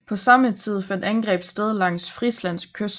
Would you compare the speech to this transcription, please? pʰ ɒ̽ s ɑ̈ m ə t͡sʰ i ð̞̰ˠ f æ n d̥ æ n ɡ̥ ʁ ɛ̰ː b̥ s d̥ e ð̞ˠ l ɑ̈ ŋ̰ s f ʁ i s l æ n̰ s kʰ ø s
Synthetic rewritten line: pʰ ɒ̽ s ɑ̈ m ə t͡sʰ i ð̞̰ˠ f æ n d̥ æ n ɡ̥ ʁ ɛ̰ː b̥ s d̥ e ð̞ˠ l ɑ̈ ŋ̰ s f ʁ i s l æ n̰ s kʰ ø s